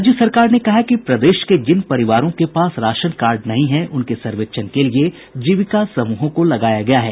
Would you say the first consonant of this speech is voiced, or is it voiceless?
voiced